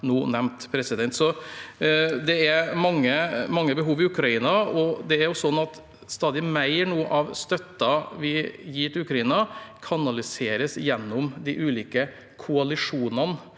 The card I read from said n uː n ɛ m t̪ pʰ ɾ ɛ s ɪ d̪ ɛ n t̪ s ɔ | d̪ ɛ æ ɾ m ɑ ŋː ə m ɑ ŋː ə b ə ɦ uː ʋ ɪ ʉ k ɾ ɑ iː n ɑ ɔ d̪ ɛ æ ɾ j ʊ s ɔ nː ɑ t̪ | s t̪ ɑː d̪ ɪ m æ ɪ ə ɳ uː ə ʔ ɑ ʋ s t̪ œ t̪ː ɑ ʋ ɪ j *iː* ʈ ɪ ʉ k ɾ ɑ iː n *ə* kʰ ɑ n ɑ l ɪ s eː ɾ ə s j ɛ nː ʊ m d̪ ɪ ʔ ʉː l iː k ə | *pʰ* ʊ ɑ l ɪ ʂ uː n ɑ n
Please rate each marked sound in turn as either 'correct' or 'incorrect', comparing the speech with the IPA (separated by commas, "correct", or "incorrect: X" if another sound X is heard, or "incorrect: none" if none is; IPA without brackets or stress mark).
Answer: correct, incorrect: ɑ, incorrect: kʰ